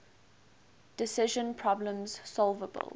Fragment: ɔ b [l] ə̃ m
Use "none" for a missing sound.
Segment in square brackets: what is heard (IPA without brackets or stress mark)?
l